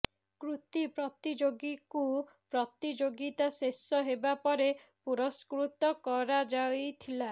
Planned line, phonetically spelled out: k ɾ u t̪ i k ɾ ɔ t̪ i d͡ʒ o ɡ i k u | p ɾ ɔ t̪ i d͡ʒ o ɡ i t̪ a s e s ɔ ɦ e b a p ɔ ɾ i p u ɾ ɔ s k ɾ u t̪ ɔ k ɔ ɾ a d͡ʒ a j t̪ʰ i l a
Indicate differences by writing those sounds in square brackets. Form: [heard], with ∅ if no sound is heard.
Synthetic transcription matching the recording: k ɾ u t̪ i [p] ɾ ɔ t̪ i d͡ʒ o ɡ i k u | p ɾ ɔ t̪ i d͡ʒ o ɡ i t̪ a s e s ɔ ɦ e b a p ɔ ɾ [e] p u ɾ ɔ s k ɾ u t̪ ɔ k ɔ ɾ a d͡ʒ a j t̪ʰ i l a